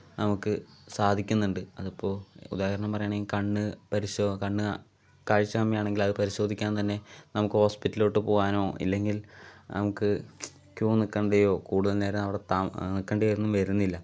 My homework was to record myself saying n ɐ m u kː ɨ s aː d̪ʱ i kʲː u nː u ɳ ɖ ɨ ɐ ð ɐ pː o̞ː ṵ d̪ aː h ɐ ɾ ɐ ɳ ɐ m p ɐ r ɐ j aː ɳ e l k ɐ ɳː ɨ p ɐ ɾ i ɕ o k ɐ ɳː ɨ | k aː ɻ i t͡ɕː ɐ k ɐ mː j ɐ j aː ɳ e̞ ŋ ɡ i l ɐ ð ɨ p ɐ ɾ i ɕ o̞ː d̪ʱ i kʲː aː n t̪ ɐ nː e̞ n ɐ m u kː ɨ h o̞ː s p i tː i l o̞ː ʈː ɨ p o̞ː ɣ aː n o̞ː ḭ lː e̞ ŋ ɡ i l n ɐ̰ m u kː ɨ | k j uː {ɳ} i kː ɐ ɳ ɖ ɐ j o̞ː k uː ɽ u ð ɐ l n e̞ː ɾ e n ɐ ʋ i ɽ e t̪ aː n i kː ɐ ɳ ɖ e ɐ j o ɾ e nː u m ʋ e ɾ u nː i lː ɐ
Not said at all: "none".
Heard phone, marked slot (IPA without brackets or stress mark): n